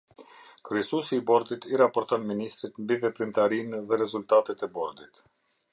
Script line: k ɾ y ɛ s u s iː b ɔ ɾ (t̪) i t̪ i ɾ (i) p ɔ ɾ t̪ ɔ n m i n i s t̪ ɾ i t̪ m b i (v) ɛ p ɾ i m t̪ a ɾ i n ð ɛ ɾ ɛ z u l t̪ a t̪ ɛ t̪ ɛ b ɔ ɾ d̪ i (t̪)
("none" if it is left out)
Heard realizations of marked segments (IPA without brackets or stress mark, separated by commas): d̪, a, v, t̪